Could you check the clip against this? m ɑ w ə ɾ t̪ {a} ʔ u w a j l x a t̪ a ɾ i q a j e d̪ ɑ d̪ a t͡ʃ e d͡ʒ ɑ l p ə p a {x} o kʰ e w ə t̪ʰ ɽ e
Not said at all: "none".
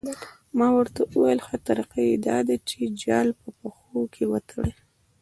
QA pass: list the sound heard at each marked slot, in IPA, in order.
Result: a, x

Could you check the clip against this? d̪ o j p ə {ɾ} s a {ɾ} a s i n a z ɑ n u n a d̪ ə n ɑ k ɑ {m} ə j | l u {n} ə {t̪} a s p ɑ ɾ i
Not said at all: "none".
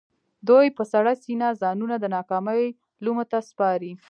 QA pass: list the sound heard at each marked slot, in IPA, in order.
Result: none, ɽ, m, m, t̪

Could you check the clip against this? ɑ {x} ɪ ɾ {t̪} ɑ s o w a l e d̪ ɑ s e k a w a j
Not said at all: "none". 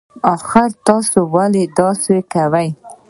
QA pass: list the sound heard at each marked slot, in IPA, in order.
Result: x, t̪

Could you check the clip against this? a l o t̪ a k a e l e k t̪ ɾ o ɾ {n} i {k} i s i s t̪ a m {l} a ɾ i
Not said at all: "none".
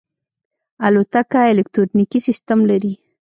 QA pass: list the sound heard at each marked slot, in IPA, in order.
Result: n, k, l

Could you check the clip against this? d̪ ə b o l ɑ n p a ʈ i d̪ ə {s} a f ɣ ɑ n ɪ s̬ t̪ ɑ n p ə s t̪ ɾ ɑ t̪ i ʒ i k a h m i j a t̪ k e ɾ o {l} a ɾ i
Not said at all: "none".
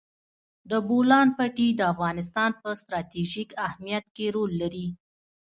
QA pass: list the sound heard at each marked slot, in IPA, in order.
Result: none, lː

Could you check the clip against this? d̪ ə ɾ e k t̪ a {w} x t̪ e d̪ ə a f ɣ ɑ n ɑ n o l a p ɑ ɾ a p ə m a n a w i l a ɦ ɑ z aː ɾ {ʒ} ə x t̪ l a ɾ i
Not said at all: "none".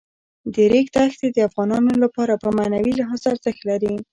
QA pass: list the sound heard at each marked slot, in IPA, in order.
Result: none, z

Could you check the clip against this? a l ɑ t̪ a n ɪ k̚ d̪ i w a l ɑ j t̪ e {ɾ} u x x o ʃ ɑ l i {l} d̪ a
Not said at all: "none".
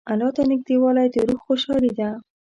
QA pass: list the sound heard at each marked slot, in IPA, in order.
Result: ɾ, none

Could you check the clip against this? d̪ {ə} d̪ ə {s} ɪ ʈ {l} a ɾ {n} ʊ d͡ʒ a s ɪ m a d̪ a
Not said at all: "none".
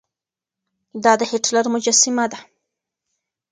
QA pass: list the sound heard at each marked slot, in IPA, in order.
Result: ɑ, h, l, m

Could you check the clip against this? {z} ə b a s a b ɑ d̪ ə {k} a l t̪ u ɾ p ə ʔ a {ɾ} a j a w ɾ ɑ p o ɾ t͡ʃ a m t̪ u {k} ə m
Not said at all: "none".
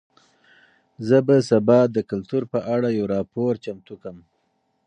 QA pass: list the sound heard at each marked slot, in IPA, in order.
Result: z, k, ɽ, k

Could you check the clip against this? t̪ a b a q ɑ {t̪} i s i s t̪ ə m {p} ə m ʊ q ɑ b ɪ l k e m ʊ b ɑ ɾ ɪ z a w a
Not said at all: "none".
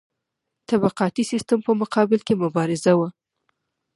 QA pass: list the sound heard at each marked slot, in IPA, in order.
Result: t̪, p

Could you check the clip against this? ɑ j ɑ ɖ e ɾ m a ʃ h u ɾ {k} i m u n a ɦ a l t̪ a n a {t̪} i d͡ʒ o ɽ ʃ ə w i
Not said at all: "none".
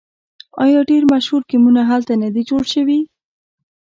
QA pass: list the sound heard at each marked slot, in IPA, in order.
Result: k, d̪

